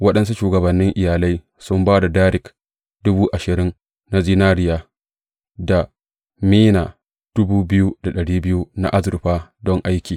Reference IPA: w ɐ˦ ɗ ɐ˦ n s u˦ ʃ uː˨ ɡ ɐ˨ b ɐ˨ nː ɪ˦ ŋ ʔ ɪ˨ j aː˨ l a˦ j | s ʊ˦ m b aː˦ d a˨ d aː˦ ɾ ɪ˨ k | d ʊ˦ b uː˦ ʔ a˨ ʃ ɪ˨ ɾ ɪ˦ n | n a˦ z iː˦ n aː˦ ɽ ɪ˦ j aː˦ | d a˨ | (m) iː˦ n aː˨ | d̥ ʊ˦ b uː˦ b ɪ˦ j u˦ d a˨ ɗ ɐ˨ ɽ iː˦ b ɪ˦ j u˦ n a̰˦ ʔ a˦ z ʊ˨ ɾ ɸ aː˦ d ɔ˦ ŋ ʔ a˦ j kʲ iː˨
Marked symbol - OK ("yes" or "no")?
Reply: yes